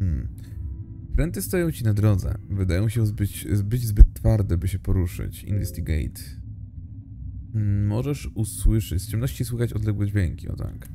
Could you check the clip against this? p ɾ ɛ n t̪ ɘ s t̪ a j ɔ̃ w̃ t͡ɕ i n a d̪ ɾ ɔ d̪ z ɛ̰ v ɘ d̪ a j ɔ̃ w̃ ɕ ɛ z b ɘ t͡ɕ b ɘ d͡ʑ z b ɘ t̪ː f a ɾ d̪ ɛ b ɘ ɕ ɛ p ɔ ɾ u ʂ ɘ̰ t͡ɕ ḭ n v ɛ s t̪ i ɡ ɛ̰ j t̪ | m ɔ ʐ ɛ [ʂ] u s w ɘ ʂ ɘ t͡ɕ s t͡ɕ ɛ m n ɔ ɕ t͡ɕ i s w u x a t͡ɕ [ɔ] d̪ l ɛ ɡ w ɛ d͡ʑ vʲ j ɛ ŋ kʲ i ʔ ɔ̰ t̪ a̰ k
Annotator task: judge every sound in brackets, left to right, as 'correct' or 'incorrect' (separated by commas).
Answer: correct, correct